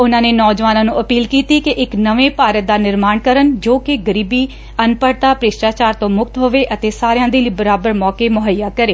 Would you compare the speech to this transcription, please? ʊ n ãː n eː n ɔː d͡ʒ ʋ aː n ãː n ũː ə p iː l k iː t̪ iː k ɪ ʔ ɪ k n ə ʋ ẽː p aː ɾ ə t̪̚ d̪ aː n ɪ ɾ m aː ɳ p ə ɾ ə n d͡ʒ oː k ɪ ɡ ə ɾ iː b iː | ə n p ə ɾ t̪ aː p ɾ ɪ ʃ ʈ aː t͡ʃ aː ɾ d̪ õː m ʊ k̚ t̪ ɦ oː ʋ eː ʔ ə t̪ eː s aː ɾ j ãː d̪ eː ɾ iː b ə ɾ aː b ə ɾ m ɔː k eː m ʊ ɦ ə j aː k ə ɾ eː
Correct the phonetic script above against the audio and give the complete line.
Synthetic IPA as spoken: ʊ n ãː n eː n ɔː d͡ʒ ʋ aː n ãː n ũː ə p iː l k iː t̪ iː k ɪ ʔ ɪ k n ə ʋ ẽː p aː ɾ ə t̪̚ d̪ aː n ɪ ɾ m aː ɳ k ə ɾ ə n d͡ʒ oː k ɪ ɡ ə ɾ iː b iː | ə n p ə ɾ t̪ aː p ɾ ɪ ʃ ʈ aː t͡ʃ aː ɾ t̪ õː m ʊ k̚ t̪ ɦ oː ʋ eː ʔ ə t̪ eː s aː ɾ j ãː d̪ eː l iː b ə ɾ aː b ə ɾ m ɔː k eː m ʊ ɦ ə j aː k ə ɾ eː